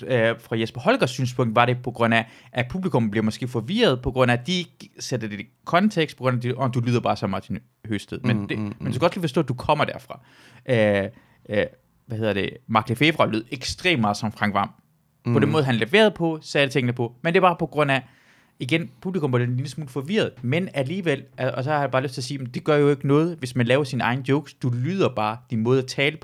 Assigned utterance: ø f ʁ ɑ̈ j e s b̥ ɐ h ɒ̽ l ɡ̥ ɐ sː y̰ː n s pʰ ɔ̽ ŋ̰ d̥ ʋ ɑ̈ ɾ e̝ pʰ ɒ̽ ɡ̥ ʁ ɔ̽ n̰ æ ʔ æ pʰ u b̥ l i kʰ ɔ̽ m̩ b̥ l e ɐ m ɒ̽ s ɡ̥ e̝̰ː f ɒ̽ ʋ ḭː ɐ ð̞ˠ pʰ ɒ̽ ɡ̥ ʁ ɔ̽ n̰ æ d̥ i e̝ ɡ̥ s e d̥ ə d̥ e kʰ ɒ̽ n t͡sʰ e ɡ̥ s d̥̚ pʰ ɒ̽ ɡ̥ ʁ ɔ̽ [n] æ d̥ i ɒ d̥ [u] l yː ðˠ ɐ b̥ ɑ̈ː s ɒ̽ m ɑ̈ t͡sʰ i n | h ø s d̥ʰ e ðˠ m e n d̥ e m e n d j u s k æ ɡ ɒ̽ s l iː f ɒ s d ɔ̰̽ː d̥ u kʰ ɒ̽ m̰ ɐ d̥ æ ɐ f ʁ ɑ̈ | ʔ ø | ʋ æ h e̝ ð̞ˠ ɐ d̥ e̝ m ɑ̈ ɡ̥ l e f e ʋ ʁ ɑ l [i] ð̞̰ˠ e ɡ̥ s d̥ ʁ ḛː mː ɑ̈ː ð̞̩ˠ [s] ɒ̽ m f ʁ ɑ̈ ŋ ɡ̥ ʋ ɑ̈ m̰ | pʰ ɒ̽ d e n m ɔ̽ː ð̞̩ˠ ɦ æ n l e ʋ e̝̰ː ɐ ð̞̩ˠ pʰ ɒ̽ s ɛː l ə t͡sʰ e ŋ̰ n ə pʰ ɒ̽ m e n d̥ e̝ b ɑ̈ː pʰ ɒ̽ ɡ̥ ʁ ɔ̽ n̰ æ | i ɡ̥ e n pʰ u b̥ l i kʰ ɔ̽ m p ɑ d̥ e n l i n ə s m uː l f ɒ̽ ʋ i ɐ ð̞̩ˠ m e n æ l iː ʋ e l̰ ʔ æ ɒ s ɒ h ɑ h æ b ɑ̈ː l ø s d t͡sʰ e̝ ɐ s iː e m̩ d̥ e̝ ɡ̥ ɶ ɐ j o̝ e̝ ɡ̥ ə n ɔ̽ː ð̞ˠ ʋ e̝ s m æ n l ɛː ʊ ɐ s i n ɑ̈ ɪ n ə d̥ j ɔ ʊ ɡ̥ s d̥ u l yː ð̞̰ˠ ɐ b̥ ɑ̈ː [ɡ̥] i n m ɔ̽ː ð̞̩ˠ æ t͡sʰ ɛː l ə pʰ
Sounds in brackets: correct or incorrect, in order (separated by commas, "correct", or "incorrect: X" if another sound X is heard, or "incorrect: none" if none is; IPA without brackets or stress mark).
correct, correct, incorrect: y, correct, incorrect: d̥